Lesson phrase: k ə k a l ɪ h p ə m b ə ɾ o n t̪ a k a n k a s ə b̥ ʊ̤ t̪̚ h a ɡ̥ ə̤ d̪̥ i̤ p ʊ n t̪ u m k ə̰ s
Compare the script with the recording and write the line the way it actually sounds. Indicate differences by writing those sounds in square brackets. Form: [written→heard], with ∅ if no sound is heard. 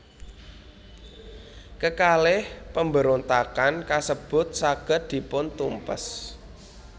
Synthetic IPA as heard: k ə k a l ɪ h p ə m b ə ɾ o n t̪ a k a n k a s ə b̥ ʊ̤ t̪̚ [h→s] a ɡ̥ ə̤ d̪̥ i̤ p ʊ n t̪ u m [k→p] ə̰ s